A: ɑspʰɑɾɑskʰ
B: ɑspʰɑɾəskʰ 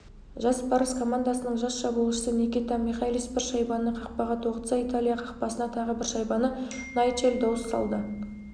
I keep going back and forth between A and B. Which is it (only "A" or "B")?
B